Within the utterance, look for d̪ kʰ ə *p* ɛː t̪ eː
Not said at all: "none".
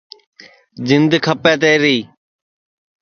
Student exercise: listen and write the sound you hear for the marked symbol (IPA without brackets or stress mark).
p